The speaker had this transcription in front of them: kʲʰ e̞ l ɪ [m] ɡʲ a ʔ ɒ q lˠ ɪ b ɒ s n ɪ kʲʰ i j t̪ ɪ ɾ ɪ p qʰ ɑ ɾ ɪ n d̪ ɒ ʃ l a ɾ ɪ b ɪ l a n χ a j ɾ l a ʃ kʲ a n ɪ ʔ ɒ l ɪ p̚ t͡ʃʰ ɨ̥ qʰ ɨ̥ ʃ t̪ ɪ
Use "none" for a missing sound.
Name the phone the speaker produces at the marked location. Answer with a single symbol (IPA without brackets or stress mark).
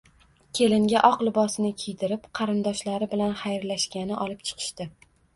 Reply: ŋ